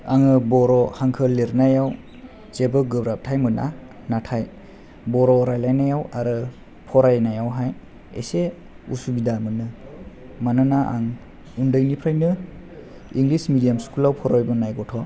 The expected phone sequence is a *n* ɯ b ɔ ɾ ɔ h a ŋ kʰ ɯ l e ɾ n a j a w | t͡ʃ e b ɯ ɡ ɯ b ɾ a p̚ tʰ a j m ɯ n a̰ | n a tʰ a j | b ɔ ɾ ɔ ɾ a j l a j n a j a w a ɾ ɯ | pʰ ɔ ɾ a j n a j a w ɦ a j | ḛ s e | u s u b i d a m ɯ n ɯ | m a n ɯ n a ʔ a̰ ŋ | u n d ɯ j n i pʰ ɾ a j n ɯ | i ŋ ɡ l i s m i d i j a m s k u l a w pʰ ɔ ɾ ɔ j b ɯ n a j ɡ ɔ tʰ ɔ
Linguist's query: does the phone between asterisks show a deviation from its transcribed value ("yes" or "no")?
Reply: yes